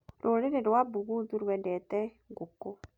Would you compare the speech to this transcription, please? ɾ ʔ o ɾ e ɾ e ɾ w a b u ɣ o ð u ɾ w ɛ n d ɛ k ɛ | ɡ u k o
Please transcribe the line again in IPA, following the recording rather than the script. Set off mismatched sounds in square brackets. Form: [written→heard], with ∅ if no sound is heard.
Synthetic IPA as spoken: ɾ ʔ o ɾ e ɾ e ɾ w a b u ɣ [o→u] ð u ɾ w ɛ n d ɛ [k→t] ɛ | ɡ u k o